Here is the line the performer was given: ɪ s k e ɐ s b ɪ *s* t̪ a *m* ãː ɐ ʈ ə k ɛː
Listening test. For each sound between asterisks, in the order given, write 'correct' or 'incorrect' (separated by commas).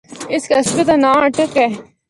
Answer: incorrect, incorrect